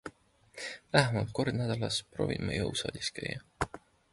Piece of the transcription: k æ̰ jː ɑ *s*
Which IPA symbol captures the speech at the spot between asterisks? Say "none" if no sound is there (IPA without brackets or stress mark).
none